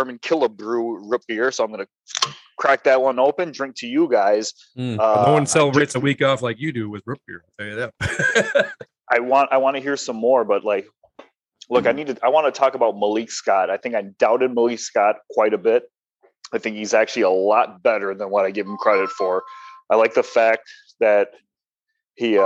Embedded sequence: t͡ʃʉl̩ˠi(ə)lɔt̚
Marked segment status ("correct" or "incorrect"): correct